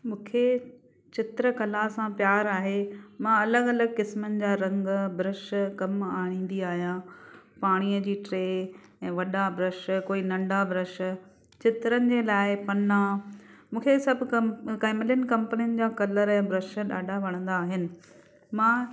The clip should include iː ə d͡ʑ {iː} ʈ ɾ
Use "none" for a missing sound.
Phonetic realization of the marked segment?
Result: iː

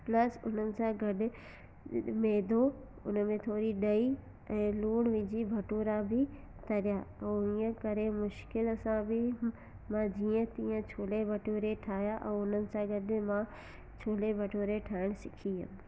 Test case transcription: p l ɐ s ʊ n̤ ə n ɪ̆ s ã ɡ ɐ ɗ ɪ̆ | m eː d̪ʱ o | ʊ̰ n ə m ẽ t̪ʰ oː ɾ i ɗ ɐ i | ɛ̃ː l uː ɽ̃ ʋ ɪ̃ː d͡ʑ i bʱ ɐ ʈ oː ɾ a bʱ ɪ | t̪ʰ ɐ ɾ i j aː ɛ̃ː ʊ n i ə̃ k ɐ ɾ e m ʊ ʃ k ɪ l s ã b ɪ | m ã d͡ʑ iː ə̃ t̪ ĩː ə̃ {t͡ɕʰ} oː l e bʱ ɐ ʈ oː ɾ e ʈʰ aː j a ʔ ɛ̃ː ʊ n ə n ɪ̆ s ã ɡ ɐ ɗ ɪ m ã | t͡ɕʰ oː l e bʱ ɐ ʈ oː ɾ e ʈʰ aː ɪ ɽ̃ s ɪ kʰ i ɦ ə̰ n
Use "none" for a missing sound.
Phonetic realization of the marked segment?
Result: t͡ɕʰ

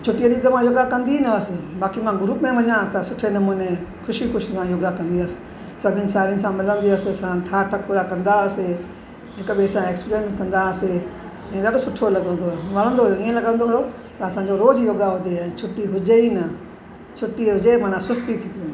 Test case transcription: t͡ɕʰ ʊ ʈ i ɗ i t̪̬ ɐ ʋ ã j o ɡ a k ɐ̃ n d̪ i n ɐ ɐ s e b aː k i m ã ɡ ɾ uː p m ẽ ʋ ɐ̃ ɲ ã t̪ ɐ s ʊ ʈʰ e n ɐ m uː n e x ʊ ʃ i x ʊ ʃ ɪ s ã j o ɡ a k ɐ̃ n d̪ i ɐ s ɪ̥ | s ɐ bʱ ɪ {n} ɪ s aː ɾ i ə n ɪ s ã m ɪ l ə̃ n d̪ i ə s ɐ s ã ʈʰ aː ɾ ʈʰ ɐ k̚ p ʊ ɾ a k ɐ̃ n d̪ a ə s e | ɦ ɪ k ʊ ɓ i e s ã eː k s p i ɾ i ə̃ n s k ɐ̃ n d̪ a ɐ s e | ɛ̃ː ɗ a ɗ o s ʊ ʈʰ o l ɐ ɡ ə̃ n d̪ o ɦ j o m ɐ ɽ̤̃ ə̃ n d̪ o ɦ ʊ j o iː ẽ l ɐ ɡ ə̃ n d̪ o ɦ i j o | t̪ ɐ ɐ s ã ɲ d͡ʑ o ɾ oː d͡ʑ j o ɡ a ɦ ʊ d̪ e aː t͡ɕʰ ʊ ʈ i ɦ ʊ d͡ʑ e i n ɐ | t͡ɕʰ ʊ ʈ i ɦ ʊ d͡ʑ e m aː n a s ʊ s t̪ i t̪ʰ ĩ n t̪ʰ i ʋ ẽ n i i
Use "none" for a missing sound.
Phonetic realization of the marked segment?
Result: n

